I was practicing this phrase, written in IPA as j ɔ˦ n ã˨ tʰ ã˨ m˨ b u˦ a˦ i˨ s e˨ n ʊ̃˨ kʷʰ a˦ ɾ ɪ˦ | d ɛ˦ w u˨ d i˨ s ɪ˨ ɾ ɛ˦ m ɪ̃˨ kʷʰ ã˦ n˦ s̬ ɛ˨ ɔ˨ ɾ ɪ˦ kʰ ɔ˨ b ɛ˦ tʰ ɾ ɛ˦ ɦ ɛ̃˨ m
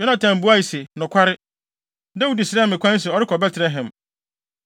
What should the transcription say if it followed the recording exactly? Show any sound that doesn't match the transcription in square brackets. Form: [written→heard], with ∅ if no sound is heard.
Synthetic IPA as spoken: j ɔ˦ n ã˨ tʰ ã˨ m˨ b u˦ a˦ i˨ s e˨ n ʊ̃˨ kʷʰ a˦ ɾ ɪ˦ | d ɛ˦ w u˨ d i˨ s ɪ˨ ɾ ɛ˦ m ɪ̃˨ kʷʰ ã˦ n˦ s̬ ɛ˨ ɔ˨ ɾ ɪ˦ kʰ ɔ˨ b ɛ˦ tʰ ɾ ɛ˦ ɦ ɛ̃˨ m